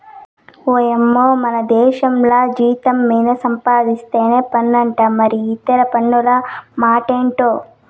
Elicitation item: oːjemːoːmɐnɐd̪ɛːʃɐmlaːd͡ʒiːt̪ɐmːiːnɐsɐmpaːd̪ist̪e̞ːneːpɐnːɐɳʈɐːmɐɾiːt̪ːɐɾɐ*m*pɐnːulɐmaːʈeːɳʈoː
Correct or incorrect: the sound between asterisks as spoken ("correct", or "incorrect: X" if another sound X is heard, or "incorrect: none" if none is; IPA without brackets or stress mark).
incorrect: none